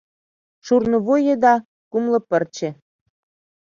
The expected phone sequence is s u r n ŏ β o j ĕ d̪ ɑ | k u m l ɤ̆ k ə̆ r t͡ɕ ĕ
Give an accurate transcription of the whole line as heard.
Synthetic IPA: ʃ u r n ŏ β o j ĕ d̪ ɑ | k u m l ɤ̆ p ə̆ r t͡ɕ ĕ